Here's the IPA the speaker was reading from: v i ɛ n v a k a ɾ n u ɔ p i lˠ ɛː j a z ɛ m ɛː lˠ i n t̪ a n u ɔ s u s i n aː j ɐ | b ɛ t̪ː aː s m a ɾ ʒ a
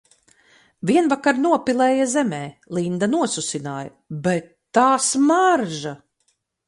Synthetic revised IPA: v i ɛ n v a k a ɾ n u ɔ p i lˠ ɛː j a z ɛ m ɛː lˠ i n d̪ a n u ɔ s u s i n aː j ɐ | b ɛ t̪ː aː s m a ɾ ʒ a

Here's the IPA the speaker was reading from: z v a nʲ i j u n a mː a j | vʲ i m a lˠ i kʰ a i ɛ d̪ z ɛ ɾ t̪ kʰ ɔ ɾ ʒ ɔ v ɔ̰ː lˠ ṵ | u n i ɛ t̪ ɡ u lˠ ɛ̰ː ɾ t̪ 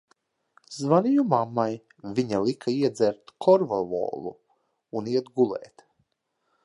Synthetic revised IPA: z v a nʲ i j u m a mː a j | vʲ i ɲ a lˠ i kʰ a i ɛ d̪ z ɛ ɾ t̪ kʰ ɔ ɾ v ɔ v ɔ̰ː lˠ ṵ | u n i ɛ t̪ ɡ u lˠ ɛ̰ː t̪

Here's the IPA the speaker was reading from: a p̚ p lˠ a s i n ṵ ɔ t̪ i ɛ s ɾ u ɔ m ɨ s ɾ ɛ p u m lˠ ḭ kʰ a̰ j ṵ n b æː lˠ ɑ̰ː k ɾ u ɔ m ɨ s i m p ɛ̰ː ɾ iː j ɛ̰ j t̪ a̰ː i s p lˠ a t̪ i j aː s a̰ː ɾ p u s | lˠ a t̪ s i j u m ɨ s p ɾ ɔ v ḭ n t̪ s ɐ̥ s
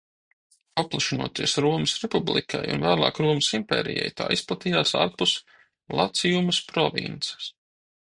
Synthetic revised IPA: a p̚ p lˠ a ʃ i n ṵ ɔ t̪ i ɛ s ɾ u ɔ m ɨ s ɾ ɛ p u b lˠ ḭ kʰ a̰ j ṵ n v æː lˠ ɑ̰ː k ɾ u ɔ m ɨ s i m p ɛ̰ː ɾ i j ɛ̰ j t̪ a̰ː i s p lˠ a t̪ i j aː s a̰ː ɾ p u s | lˠ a t̪ s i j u m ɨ s p ɾ ɔ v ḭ n t̪ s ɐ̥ s

